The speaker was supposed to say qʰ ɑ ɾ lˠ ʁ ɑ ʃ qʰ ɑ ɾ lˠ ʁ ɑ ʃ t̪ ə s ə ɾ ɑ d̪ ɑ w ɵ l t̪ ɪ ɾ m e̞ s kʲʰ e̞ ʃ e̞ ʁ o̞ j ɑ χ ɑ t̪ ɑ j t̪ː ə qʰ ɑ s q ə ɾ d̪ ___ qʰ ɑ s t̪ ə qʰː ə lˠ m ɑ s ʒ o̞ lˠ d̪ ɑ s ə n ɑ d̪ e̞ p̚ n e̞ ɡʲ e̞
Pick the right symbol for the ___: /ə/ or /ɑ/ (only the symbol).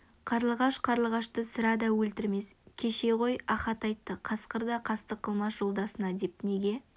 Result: ɑ